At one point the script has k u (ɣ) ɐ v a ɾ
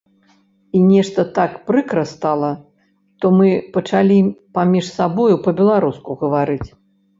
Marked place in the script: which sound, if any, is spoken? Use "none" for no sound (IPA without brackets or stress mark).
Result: ɣ